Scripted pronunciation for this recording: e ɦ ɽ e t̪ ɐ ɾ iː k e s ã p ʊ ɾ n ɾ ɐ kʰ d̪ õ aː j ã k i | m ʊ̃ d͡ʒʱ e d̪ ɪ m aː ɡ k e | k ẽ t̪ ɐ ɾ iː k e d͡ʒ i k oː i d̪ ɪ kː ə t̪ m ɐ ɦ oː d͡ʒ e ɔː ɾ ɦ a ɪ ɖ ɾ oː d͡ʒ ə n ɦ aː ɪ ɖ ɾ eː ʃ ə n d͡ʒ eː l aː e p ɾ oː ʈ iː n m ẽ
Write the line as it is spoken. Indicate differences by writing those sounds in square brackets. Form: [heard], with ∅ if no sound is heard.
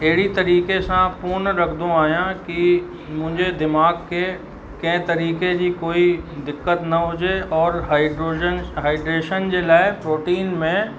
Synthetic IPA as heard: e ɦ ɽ [i] t̪ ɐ ɾ iː k e s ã p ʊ ɾ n ɾ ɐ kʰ d̪ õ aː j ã k i | m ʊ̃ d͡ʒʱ e d̪ ɪ m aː ɡ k e | k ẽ t̪ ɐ ɾ iː k e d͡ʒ i k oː i d̪ ɪ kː ə t̪ [n] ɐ ɦ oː d͡ʒ e ɔː ɾ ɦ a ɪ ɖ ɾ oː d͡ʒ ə n ɦ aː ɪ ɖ ɾ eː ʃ ə n d͡ʒ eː l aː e p ɾ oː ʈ iː n m ẽ